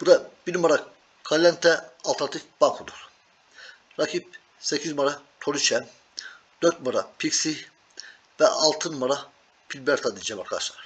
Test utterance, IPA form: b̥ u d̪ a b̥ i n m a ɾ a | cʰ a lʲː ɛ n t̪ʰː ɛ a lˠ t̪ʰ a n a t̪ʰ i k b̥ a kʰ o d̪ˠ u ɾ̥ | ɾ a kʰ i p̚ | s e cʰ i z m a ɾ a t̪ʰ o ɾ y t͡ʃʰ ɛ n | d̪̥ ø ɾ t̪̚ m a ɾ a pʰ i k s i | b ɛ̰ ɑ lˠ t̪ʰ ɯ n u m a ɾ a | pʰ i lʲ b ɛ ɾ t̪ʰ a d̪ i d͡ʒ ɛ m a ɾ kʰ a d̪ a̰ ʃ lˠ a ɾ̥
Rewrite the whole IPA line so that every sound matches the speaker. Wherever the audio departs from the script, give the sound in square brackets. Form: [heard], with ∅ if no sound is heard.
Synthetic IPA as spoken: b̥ u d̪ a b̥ i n m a ɾ a | [kʰ] a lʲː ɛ n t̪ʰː ɛ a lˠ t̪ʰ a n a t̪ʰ i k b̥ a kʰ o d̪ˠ u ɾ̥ | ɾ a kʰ i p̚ | s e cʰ i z m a ɾ a t̪ʰ o ɾ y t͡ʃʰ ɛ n | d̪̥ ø ɾ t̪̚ m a ɾ a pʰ i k s i | [v] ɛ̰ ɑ lˠ t̪ʰ ɯ n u m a ɾ a | pʰ i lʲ b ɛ ɾ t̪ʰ a d̪ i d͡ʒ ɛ m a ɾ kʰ a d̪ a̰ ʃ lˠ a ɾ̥

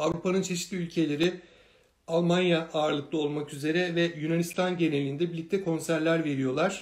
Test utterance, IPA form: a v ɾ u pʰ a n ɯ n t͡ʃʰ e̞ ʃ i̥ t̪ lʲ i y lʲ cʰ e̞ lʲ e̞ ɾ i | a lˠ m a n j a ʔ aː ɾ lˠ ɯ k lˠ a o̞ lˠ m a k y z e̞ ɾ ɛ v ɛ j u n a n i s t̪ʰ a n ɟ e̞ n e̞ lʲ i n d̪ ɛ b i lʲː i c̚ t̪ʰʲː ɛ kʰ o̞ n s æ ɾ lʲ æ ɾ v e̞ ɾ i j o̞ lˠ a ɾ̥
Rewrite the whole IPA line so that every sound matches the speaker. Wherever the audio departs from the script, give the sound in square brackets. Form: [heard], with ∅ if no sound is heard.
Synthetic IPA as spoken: a v ɾ u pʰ a n ɯ n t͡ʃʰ e̞ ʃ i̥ t̪ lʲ i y lʲ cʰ e̞ lʲ e̞ ɾ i | a lˠ m a n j a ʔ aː ɾ lˠ ɯ k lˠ a o̞ lˠ m a k y z e̞ ɾ ɛ v ɛ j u n a n i s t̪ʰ a n ɟ e̞ n e̞ lʲ i n d̪ ɛ b i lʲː i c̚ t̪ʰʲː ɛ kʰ o̞ n s æ ɾ lʲ æ ɾ v e̞ ɾ i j o̞ lˠ a ɾ̥

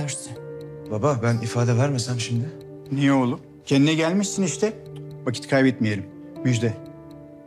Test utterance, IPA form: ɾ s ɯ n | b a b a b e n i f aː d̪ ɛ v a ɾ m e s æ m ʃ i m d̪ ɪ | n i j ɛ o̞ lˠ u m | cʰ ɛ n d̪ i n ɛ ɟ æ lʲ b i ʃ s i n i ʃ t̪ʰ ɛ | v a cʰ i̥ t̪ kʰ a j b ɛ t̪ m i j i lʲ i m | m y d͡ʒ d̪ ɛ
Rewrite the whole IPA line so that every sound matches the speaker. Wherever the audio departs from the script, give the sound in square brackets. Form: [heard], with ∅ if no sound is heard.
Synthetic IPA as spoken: ɾ s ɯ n | b a b a b [æ] n i f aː d̪ ɛ v [æ] ɾ m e s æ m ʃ i m d̪ ɪ | n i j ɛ o̞ lˠ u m | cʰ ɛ n d̪ i n ɛ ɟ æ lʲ [m] i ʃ s i n i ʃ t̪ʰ ɛ | v a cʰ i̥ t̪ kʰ a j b ɛ t̪ m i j [e] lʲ i m | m y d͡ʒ d̪ ɛ

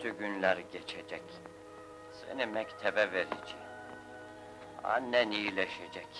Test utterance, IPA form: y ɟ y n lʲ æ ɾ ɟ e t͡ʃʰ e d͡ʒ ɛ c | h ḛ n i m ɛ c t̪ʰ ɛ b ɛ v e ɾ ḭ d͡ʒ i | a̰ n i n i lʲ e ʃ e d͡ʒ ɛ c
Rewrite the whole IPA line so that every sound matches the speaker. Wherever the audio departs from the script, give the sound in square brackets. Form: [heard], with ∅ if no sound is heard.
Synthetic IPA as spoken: y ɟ y n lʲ æ ɾ ɟ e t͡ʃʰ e d͡ʒ ɛ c | [s] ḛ n i m ɛ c t̪ʰ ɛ b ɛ v e ɾ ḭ d͡ʒ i | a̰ n [ɛ] n i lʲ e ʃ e d͡ʒ ɛ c

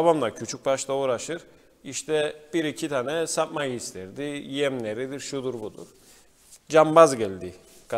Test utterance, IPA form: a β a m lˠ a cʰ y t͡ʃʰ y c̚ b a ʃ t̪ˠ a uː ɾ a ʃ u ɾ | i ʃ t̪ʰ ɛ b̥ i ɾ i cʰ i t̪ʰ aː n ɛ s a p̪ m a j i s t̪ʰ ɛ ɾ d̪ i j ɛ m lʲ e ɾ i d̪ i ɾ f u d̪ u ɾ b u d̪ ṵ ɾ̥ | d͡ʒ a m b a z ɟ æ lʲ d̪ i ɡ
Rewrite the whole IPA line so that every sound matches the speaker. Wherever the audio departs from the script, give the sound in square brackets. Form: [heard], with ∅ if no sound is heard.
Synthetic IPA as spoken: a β a m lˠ a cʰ y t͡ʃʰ y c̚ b a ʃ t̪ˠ a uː ɾ a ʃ [ɯ] ɾ | i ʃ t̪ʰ ɛ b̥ i ɾ i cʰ i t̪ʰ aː n ɛ s a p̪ m a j i s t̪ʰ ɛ ɾ d̪ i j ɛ m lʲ e ɾ i d̪ i ɾ [ʃ] u d̪ u ɾ b u d̪ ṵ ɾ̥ | d͡ʒ a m b a z ɟ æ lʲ d̪ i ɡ

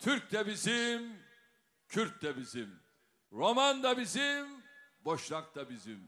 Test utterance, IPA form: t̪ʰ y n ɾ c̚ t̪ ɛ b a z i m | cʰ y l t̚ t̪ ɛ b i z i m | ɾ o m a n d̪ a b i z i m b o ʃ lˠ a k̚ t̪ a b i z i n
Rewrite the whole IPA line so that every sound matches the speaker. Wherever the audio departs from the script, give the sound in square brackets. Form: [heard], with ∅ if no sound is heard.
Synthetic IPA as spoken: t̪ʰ y [∅] ɾ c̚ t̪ ɛ b [i] z i m | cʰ y [ɾ] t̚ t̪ ɛ b i z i m | ɾ o m a n d̪ a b i z i m b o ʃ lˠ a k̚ t̪ a b i z i [m]

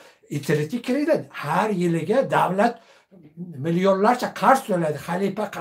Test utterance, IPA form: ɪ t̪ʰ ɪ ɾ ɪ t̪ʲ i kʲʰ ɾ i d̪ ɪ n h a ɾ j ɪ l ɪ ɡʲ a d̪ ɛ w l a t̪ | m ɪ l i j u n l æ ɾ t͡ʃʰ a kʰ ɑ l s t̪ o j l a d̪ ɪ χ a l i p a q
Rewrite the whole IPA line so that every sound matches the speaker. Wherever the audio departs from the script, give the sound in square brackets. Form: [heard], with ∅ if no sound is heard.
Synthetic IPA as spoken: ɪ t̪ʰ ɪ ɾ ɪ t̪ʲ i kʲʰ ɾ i d̪ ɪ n h a ɾ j ɪ l ɪ ɡʲ a d̪ [a] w l a t̪ | m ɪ l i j [o] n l [a] ɾ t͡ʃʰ a [qʰ] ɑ [ɾ] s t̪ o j l a d̪ ɪ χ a l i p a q

